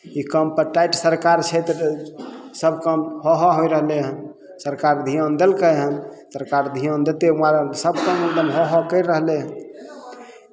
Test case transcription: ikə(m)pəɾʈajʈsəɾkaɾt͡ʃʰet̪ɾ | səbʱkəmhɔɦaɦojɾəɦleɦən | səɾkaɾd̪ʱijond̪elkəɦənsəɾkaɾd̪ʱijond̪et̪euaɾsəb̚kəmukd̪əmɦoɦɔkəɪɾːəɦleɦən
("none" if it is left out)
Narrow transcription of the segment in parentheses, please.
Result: m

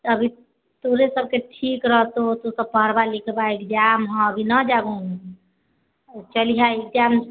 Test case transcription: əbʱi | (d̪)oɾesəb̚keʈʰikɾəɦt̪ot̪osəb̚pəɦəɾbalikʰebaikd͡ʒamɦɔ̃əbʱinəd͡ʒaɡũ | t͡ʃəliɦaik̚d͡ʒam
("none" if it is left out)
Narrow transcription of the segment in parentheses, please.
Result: t̪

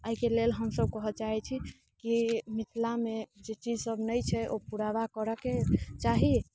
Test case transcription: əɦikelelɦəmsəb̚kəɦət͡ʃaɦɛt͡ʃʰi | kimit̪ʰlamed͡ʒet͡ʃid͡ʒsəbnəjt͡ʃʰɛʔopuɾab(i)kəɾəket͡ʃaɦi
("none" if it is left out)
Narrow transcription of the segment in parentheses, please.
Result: a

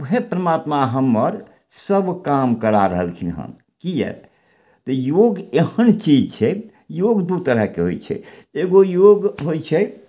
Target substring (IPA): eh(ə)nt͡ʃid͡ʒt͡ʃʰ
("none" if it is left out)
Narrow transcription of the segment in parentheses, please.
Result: ə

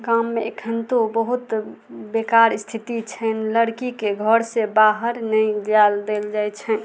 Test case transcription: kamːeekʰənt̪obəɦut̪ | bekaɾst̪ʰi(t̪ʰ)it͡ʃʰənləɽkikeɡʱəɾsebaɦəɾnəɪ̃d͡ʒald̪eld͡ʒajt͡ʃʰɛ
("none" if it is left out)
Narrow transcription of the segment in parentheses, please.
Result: t̪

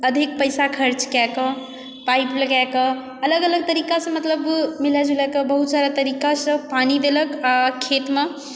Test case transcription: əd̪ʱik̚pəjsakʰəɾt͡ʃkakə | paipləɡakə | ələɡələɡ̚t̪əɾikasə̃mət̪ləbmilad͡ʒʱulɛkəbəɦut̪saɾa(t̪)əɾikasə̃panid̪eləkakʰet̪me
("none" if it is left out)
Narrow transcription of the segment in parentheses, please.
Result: t̪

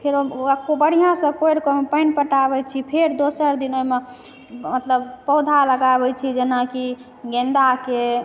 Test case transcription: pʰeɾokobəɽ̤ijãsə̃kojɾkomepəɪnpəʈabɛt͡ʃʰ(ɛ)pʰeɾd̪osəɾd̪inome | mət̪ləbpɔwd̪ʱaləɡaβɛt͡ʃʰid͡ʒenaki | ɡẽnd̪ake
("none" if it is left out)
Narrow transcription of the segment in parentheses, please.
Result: i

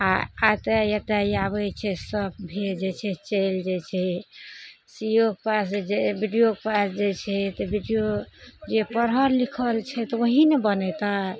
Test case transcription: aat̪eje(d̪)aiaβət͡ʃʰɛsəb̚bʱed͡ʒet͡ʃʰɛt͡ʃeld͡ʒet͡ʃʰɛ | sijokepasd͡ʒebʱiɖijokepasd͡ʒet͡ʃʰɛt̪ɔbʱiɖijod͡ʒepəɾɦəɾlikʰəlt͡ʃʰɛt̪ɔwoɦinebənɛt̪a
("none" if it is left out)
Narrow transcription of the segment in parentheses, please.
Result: t̪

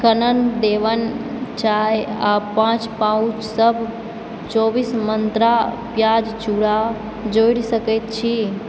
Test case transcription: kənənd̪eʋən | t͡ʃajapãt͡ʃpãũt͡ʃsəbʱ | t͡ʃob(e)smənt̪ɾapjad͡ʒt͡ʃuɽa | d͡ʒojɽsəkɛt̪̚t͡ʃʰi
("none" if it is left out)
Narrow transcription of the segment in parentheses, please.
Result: i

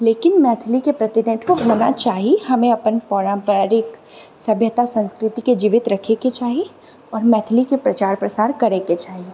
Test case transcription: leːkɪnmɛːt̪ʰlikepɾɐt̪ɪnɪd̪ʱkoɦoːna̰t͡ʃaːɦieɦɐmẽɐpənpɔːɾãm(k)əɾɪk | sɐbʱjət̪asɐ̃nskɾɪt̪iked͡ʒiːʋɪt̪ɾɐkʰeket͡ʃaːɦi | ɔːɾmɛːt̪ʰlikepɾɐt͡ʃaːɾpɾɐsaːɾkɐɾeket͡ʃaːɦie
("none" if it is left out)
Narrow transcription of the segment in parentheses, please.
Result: p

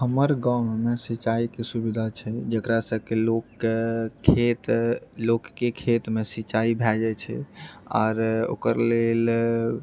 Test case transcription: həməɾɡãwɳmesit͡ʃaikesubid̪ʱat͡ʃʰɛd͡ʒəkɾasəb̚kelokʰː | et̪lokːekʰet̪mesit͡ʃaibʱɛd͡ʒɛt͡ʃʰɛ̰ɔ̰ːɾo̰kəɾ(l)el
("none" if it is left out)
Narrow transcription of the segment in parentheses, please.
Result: l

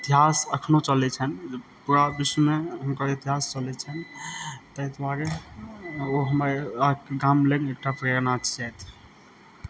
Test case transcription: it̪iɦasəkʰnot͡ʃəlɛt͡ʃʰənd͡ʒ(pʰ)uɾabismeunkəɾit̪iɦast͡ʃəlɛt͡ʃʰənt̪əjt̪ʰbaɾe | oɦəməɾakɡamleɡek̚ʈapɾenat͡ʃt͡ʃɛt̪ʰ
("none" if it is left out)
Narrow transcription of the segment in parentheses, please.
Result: p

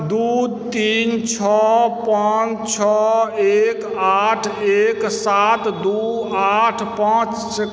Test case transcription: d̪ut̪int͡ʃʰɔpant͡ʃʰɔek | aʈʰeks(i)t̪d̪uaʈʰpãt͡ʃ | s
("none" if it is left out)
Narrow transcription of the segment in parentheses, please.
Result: a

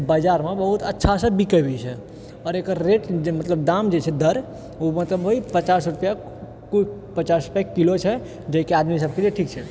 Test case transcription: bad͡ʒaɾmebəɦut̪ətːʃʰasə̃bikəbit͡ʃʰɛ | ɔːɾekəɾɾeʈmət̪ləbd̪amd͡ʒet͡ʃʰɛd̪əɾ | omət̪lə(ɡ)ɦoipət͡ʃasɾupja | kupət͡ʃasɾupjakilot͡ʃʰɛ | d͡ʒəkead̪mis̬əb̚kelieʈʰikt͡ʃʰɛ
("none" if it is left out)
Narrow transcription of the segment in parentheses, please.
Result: b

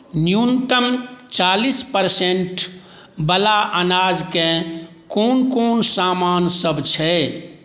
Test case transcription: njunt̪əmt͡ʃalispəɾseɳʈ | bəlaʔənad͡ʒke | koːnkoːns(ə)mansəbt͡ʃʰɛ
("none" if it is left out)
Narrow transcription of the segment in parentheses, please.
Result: a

